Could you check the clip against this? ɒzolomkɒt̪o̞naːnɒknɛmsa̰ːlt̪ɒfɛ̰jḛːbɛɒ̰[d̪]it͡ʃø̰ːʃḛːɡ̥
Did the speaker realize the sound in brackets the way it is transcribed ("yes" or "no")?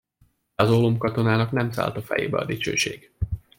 yes